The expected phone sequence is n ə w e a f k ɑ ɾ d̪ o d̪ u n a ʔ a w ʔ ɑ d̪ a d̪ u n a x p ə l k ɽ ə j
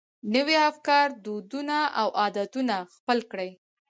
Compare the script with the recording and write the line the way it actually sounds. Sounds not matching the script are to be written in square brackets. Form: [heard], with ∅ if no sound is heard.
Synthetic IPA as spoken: n ə w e a f k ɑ ɾ d̪ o d̪ u n a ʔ a w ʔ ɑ d̪ a [t̪] u n a x p ə l k ɽ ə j